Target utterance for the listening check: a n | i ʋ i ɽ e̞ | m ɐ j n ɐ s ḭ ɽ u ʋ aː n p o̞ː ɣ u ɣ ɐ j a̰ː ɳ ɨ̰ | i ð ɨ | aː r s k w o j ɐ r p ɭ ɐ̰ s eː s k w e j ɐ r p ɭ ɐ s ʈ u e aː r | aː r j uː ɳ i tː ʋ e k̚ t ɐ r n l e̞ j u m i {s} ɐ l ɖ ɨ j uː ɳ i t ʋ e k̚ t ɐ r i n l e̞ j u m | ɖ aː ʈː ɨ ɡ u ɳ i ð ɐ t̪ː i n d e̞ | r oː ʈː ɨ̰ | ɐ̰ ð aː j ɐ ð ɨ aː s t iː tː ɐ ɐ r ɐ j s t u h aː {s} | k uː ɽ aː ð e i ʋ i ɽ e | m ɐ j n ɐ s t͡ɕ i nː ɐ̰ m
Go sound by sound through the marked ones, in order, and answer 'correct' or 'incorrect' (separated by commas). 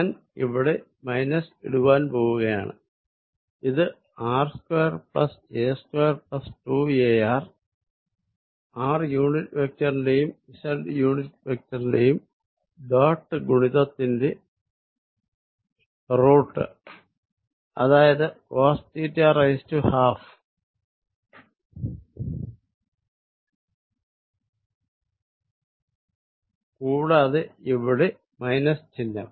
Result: correct, incorrect